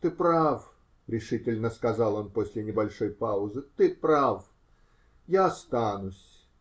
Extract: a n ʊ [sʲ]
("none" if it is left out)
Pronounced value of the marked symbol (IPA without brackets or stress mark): sʲ